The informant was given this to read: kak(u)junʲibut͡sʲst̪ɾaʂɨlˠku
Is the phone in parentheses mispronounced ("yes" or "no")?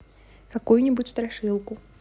no